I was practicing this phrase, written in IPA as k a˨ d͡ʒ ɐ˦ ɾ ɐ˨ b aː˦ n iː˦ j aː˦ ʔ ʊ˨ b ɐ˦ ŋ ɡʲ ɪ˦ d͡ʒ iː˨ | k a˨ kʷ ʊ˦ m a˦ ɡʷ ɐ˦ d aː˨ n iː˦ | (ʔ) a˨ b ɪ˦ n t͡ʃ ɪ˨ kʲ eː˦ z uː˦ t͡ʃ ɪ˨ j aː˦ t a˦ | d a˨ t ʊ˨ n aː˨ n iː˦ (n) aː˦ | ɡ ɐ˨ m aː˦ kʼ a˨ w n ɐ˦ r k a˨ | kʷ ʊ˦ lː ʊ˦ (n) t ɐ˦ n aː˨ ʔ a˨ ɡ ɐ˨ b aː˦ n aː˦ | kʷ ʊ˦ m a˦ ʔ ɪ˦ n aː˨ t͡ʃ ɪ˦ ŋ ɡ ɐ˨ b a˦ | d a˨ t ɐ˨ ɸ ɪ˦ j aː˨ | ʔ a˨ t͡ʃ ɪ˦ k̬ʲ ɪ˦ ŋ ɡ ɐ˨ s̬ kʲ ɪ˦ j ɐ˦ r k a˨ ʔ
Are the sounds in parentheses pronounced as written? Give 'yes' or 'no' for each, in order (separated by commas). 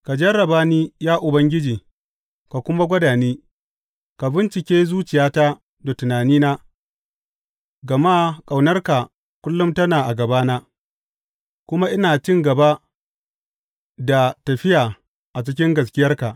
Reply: no, yes, no